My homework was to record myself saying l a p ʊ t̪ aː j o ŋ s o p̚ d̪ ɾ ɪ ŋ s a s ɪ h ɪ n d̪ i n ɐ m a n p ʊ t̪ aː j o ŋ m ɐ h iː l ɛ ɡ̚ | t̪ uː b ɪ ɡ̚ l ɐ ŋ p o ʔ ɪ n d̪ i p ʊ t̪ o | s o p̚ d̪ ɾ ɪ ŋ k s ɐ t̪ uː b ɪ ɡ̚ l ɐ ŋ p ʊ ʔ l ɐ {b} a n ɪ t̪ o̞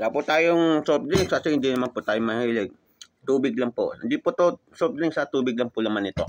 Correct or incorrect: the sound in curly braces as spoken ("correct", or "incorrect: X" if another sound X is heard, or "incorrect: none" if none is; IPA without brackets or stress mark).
incorrect: m